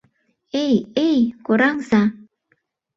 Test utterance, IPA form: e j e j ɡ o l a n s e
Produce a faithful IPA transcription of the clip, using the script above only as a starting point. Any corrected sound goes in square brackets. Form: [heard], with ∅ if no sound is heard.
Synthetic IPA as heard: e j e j [k] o [ɾ] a [ŋ] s [a]